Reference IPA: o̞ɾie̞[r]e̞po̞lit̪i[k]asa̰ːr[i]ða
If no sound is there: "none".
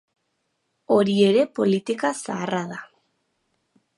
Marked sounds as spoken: ɾ, k, a

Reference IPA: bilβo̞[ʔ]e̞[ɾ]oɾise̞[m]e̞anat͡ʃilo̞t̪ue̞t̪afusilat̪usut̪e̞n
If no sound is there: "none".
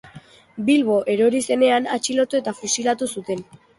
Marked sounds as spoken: ʔ, ɾ, n

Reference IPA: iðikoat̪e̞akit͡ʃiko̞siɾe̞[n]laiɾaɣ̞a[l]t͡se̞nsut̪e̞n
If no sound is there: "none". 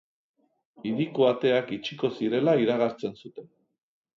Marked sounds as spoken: none, ɾ

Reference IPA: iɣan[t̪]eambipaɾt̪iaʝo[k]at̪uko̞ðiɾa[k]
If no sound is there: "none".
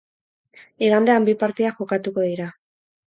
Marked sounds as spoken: d̪, k, none

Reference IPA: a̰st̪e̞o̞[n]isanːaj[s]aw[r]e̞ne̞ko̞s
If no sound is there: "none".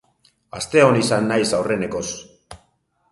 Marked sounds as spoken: n, s, r

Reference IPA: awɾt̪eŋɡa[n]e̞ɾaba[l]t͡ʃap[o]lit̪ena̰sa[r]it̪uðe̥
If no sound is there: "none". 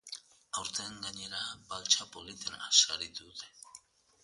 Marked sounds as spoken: ɲ, l, o, ɾ

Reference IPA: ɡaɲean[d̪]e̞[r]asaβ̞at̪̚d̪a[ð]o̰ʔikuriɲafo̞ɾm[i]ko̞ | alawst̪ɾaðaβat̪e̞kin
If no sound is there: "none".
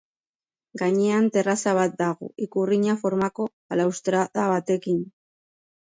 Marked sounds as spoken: t̪, r, ɣ, a

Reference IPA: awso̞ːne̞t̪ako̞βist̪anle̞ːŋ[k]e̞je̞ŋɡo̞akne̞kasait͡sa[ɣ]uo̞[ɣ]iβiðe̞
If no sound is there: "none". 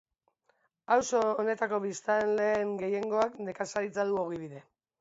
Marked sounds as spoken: ɡ, ð, ɣ

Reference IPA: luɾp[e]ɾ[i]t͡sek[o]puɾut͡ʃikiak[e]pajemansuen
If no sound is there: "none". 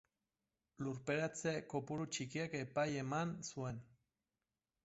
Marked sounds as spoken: e, a, o, e

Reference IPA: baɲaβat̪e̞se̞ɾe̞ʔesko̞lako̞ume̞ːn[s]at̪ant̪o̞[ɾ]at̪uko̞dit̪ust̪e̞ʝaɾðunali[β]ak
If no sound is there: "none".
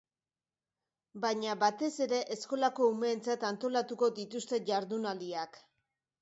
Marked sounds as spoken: t͡s, l, none

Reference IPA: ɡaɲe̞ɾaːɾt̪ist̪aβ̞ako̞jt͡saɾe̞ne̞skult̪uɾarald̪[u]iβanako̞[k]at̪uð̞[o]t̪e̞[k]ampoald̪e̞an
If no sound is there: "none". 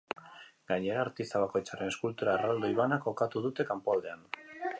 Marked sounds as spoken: o, k, u, k

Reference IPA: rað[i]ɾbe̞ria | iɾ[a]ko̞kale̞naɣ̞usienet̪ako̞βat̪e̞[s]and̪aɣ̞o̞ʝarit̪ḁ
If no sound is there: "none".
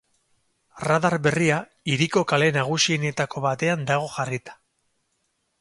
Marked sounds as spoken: a, i, none

